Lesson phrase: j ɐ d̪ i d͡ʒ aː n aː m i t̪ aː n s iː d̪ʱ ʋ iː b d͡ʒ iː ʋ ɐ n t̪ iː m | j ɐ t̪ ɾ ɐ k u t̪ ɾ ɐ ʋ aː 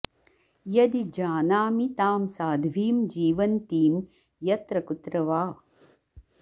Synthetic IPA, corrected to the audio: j ɐ d̪ i d͡ʒ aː n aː m i t̪ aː m s aː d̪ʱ ʋ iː m d͡ʒ iː ʋ ɐ n t̪ iː m | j ɐ t̪ ɾ ɐ k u t̪ ɾ ɐ ʋ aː